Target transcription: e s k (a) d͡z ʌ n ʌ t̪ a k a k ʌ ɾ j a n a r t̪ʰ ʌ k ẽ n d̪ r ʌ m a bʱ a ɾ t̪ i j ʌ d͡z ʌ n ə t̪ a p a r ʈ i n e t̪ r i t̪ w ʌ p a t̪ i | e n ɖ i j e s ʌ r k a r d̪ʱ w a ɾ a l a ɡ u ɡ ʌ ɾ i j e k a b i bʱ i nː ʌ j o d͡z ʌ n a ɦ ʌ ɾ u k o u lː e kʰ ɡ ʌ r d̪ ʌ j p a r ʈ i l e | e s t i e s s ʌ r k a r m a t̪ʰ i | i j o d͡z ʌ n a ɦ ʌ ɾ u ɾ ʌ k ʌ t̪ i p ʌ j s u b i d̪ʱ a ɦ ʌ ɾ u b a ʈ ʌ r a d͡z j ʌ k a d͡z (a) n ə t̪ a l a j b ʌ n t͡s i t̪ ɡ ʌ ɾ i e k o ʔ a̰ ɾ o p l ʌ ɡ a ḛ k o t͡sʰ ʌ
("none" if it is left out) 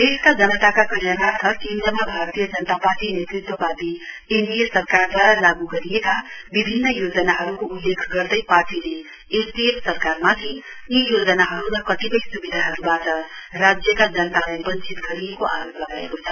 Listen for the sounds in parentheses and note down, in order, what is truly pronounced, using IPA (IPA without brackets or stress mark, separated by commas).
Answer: a, ʌ